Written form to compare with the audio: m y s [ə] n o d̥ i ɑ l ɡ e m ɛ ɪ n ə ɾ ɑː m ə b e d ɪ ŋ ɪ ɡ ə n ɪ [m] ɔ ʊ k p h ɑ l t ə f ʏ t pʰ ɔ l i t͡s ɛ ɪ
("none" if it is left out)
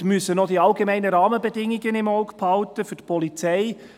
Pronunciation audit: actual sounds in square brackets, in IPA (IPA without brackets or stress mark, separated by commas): ə, m